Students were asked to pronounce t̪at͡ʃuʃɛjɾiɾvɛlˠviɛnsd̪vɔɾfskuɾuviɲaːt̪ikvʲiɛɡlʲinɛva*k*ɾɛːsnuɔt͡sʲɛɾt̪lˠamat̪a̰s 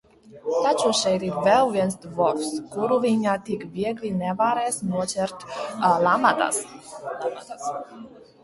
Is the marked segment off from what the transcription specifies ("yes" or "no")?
yes